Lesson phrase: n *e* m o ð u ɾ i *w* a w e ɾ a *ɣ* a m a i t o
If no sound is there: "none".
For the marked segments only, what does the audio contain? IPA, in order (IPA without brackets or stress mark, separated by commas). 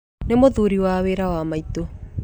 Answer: e, w, w